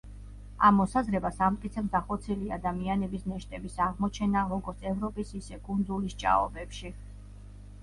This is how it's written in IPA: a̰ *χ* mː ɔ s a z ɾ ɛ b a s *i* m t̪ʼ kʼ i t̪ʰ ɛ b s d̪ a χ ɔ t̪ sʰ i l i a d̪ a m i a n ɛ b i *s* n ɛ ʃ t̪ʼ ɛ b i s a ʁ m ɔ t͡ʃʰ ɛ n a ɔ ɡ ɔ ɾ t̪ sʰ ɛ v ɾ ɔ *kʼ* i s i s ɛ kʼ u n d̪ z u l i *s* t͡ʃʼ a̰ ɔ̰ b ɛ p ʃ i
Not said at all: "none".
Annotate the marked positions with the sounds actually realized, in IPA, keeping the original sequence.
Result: none, a, s, pʼ, s

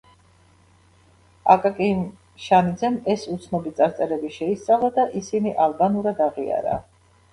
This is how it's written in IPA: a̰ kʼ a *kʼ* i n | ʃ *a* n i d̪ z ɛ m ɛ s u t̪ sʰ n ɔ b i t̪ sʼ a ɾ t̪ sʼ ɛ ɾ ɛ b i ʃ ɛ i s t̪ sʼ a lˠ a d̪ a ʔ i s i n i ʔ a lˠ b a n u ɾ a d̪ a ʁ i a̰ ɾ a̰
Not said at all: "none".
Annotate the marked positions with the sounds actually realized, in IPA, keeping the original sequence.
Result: kʼ, a

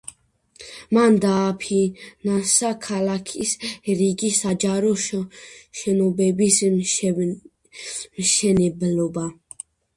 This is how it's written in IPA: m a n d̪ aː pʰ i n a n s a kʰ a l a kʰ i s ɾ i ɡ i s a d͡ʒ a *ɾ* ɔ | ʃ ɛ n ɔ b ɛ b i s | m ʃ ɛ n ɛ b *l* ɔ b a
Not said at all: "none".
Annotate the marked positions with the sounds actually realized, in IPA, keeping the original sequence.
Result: ɾ, l

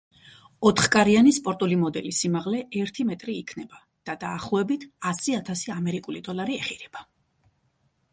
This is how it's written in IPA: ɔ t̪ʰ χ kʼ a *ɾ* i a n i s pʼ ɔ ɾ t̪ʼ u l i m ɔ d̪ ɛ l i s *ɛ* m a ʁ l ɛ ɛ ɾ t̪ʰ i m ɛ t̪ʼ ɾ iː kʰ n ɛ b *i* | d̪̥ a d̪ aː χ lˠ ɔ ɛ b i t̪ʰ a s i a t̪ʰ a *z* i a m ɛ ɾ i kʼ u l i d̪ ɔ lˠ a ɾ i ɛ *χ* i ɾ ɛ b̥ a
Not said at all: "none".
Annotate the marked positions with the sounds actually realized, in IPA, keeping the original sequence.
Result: ɾ, i, a, s, χ

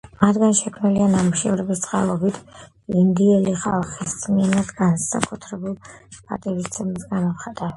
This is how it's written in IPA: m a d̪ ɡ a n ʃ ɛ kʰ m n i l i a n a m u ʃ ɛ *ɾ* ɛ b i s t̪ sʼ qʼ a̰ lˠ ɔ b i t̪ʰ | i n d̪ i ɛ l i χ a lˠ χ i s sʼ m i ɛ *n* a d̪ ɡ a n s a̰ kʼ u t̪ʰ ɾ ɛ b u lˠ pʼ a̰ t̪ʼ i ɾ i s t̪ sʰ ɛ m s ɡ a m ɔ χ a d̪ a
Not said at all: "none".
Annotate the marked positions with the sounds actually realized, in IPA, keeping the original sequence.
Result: ɾ, n

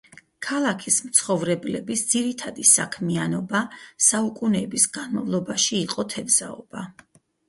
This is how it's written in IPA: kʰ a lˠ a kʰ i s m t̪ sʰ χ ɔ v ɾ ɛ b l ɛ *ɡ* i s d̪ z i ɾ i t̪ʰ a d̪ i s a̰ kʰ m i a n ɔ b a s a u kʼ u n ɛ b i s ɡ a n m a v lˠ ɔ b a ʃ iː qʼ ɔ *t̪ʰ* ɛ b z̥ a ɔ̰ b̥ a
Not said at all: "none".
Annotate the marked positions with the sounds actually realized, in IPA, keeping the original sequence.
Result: b, t̪ʰ

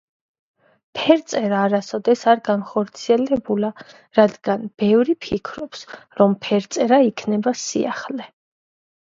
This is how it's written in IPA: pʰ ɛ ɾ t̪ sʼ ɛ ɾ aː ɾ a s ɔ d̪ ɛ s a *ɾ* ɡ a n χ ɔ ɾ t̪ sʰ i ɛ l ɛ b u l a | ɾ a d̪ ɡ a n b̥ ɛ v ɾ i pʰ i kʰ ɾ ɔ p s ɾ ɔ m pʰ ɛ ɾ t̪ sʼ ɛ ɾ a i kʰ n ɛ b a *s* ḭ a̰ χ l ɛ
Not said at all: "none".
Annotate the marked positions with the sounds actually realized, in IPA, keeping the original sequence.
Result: ɾ, s

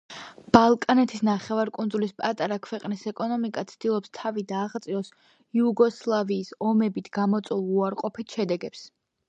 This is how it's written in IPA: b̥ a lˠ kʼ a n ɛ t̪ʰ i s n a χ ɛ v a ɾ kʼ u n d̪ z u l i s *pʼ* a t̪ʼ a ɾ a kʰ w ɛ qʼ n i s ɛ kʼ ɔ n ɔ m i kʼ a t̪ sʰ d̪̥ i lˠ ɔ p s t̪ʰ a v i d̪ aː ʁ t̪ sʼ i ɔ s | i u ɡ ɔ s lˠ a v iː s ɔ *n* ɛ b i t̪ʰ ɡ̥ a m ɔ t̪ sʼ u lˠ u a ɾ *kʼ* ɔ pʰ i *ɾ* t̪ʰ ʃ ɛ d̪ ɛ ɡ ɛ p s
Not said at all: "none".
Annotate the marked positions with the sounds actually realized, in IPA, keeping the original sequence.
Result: pʼ, m, qʼ, none

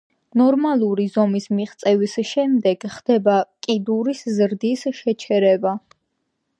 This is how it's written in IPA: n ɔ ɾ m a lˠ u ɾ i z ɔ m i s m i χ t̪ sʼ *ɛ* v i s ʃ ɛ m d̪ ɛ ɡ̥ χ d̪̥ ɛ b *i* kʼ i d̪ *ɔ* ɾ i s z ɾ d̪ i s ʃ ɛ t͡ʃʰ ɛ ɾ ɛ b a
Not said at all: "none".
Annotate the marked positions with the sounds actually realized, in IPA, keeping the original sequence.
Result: ɛ, a, u

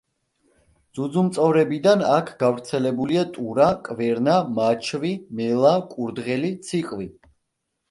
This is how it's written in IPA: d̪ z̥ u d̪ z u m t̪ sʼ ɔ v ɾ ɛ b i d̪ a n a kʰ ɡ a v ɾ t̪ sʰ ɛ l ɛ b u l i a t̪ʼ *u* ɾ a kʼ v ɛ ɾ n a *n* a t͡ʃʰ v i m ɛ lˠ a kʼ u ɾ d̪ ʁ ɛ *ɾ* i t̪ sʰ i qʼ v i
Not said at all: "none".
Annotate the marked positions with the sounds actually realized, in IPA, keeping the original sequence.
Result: u, m, l

